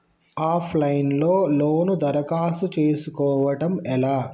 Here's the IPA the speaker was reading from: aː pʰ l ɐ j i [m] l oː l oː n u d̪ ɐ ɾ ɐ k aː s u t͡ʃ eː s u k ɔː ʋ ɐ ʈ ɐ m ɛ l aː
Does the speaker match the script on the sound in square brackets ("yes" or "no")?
no